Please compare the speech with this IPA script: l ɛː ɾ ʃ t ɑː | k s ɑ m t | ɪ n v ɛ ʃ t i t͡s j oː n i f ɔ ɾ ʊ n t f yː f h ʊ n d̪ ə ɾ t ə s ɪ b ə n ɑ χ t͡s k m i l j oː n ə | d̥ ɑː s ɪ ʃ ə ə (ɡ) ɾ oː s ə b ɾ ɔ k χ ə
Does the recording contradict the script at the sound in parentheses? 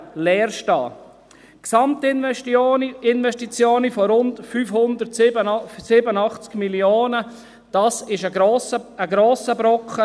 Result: no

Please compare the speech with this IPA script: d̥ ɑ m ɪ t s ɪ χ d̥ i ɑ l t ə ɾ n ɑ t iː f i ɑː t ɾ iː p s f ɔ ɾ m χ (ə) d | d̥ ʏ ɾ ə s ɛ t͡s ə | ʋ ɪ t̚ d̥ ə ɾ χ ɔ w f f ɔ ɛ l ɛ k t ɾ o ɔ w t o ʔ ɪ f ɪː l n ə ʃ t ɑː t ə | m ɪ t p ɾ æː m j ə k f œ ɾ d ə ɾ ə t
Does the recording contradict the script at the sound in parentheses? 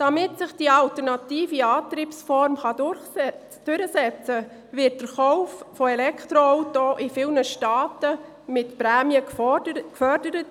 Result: yes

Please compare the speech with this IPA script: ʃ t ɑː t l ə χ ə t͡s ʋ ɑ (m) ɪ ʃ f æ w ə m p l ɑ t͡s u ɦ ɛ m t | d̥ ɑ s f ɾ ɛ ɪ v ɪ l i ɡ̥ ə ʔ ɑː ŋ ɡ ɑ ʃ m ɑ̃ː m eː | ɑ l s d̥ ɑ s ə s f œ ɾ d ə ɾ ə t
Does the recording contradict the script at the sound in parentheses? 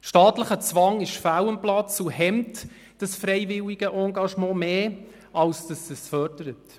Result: yes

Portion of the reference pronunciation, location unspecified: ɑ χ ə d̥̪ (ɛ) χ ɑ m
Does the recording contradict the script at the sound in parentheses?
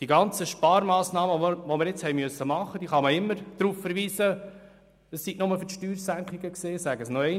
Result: yes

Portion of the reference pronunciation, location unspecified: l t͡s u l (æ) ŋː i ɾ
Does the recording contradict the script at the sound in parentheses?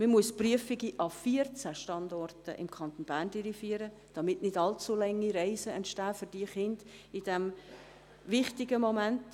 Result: yes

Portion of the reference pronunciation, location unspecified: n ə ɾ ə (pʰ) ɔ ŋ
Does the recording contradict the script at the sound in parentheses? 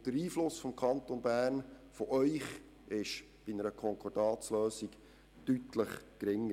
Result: yes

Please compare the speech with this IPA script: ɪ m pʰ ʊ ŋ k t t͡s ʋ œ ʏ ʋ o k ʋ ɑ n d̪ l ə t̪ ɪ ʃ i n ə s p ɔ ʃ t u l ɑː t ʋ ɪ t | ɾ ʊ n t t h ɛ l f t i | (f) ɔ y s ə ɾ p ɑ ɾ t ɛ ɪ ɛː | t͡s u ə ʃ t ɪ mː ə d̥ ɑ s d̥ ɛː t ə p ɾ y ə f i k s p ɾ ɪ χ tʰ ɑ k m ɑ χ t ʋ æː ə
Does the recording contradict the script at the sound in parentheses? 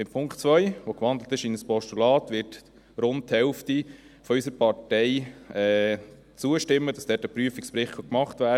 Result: no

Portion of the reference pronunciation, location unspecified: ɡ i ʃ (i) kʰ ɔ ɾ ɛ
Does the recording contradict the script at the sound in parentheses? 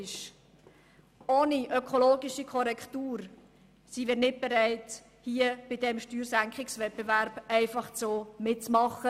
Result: no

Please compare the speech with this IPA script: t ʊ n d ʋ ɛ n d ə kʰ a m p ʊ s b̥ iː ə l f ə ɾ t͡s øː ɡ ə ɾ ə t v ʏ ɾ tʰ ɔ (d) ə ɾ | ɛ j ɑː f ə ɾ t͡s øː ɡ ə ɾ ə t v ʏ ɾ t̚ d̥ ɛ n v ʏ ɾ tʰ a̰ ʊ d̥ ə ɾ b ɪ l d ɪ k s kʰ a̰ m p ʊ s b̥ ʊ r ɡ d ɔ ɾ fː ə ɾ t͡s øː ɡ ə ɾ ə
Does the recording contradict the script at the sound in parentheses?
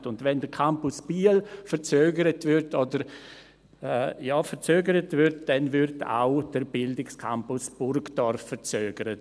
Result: no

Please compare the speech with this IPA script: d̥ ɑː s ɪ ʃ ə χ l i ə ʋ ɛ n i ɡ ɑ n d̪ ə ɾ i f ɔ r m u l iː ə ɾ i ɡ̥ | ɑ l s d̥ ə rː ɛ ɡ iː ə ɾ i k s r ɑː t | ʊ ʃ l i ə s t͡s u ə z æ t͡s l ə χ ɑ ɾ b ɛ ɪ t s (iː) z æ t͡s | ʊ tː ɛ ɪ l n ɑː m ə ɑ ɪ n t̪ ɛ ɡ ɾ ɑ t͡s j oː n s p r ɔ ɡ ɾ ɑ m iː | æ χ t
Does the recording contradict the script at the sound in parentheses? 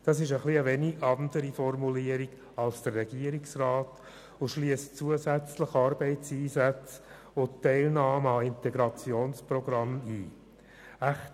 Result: no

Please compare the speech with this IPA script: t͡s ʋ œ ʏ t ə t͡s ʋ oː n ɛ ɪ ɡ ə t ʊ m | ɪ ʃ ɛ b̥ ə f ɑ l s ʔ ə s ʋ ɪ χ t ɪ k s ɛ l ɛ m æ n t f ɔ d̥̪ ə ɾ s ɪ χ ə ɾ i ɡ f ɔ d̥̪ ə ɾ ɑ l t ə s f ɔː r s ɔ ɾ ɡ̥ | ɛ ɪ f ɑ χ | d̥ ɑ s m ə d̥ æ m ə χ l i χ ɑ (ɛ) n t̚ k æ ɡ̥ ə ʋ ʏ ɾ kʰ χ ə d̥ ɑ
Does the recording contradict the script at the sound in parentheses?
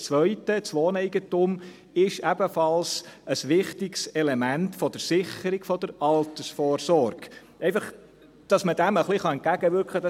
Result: no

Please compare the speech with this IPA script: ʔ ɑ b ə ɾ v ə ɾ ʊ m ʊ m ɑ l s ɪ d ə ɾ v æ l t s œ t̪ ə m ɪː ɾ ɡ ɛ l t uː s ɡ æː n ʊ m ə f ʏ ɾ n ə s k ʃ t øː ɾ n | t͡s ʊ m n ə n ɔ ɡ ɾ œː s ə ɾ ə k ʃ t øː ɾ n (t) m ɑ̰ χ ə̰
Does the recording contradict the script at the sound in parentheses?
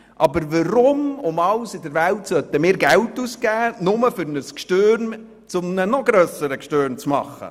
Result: yes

